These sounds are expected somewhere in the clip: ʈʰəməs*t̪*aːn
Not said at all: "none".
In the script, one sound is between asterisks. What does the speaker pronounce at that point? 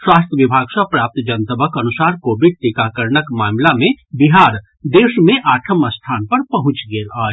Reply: t̪ʰ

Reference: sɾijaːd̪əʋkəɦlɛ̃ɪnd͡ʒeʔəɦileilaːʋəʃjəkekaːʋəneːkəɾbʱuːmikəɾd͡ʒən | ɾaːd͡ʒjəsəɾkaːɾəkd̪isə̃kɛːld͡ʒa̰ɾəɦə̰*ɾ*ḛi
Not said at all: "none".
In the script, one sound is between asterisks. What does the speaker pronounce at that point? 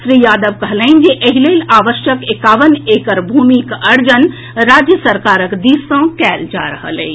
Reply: l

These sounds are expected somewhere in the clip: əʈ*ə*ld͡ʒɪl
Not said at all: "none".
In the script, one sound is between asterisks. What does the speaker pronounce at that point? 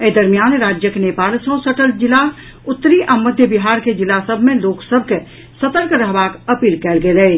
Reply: ə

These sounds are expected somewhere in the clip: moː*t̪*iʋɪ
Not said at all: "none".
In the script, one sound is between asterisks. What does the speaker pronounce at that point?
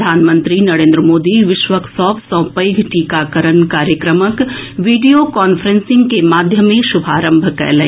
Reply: d̪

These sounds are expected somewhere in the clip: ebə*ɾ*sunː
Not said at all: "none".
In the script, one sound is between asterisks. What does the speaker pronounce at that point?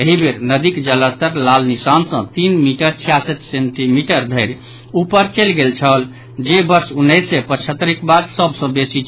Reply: ɾ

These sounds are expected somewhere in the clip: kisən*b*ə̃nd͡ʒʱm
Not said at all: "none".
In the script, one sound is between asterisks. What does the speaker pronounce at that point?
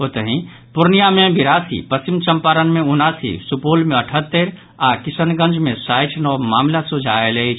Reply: ɡ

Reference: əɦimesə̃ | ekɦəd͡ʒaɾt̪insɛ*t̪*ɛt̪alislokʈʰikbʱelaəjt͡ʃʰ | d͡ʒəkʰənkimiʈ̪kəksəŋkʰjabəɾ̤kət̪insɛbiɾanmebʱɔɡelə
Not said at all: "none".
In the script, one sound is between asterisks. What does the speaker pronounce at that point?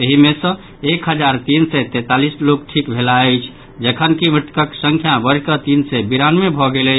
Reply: t̪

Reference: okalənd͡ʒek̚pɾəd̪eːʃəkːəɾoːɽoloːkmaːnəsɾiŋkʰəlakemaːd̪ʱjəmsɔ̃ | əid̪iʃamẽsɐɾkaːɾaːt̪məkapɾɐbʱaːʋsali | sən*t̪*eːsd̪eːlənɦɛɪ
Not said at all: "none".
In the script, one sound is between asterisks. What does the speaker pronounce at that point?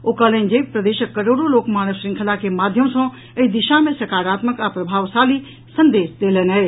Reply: d̪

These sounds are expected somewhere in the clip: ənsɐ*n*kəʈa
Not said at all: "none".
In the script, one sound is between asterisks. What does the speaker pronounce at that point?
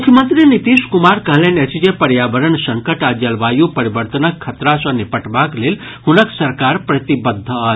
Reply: ŋ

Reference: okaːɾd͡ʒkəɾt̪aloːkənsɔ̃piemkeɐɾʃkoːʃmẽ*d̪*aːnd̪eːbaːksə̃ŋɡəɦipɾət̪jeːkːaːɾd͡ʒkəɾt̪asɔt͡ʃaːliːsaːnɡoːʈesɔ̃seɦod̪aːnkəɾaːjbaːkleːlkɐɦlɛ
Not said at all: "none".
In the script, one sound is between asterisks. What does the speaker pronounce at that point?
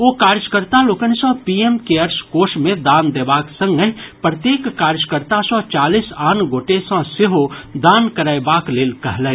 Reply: d̪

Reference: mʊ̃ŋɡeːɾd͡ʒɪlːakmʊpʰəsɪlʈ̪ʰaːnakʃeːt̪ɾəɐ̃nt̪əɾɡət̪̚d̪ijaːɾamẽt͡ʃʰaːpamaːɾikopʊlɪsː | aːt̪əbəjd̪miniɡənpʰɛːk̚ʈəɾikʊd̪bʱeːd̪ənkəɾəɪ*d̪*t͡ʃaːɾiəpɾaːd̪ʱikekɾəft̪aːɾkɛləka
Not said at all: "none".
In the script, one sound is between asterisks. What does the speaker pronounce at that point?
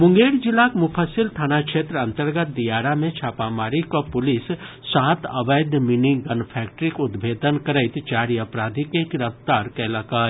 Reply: t̪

